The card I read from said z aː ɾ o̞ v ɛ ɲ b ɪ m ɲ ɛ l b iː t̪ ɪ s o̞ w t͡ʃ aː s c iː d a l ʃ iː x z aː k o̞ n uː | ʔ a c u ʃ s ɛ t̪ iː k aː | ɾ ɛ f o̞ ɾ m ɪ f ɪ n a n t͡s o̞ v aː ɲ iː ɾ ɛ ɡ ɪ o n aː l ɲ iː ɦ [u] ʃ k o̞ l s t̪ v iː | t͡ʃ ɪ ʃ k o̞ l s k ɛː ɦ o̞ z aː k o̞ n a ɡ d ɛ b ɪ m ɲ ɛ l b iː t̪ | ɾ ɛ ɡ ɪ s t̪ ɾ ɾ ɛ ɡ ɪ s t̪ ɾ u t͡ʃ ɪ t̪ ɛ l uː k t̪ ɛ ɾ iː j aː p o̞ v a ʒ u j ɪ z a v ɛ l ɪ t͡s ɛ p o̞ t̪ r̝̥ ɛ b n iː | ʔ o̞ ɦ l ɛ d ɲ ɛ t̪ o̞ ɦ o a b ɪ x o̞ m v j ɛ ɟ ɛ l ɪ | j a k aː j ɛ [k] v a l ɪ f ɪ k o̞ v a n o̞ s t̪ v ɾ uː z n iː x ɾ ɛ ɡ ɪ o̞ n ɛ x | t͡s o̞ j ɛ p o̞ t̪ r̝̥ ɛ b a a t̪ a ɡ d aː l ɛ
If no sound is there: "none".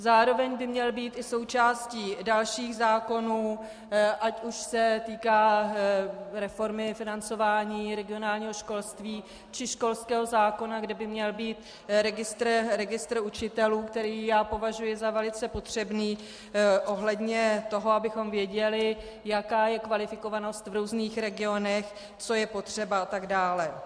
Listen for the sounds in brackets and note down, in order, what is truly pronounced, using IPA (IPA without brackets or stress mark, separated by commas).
o, k